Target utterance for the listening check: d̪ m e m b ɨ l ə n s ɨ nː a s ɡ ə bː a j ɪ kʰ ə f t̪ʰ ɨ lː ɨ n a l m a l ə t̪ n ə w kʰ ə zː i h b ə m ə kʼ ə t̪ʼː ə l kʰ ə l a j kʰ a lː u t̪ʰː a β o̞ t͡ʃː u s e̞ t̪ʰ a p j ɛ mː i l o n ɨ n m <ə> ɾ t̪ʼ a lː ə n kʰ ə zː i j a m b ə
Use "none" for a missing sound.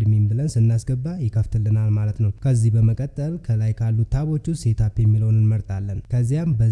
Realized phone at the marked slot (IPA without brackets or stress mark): ə